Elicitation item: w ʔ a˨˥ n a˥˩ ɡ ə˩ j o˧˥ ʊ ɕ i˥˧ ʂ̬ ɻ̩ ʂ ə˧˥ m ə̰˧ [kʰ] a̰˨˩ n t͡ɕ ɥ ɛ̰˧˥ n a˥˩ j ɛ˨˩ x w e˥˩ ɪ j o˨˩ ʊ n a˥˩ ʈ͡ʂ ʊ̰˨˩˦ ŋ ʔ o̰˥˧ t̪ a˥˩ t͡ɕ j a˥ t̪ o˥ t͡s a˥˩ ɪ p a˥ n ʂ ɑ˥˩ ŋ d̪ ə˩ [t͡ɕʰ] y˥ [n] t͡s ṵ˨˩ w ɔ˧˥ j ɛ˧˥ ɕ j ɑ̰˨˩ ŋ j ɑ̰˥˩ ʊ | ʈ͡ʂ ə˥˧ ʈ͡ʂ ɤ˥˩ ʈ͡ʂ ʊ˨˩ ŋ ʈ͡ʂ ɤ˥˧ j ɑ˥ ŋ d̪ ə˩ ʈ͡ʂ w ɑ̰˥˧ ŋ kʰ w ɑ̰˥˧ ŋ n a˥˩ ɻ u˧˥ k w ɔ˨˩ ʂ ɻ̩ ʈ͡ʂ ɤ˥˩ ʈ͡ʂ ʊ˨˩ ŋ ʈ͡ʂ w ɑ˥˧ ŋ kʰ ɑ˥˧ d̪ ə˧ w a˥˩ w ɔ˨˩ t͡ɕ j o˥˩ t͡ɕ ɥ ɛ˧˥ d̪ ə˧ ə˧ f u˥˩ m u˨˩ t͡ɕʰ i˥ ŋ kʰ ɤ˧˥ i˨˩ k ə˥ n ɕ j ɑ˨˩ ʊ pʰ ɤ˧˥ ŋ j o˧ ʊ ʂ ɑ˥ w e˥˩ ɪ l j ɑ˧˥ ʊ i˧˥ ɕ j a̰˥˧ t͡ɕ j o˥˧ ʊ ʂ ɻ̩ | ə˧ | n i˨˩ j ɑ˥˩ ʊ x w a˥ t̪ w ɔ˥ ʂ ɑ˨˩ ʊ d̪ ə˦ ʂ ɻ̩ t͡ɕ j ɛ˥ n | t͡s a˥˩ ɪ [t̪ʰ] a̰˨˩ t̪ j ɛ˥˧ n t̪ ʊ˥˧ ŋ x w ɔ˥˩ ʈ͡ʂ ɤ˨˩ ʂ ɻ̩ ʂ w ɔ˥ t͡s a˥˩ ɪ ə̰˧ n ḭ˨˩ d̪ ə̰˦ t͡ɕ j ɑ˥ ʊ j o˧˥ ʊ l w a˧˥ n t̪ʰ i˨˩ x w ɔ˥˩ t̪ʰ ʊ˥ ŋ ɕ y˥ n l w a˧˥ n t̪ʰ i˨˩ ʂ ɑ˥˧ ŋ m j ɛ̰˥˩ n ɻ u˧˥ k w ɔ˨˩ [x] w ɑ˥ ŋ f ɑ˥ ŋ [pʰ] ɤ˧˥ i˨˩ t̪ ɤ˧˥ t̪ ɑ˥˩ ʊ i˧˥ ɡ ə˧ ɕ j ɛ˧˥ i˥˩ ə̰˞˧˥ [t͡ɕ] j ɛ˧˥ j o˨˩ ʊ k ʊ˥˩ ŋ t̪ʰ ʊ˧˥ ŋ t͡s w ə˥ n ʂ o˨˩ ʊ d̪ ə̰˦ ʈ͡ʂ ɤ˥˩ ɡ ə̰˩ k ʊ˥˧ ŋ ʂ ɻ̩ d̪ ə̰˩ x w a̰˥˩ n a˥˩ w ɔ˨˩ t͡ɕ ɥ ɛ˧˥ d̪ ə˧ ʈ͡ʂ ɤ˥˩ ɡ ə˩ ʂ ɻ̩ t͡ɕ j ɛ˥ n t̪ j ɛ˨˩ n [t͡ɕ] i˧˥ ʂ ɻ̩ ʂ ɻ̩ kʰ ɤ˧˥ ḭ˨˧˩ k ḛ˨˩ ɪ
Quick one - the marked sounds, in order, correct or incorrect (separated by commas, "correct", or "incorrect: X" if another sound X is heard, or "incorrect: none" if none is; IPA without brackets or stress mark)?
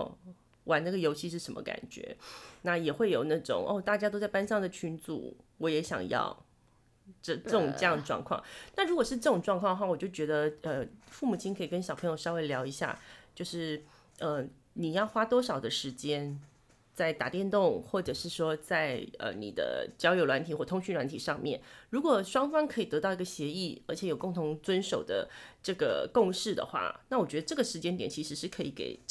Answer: incorrect: k, correct, correct, incorrect: t̪, incorrect: ʂ, incorrect: kʰ, incorrect: t͡ɕʰ, incorrect: t͡ɕʰ